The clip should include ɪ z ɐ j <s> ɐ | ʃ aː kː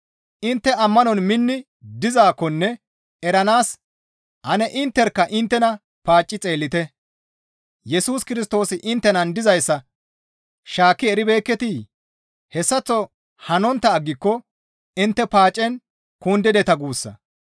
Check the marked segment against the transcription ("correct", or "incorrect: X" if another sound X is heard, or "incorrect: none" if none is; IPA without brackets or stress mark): incorrect: sː